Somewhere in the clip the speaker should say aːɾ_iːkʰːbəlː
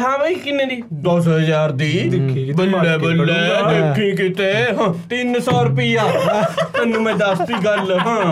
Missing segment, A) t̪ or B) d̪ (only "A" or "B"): B